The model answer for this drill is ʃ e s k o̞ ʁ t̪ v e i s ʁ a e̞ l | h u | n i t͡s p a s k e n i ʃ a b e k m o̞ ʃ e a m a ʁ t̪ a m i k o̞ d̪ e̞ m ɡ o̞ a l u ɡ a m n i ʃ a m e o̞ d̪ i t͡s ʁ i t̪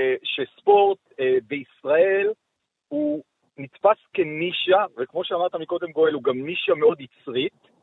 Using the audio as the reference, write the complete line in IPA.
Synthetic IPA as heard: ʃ e s p o̞ ʁ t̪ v e i s ʁ a e̞ l | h u | n i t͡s p a s k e n i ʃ a v e k m o̞ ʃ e a m a ʁ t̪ a m i k o̞ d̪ e̞ m ɡ o̞ e l u ɡ a m n i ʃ a m e o̞ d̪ i t͡s ʁ i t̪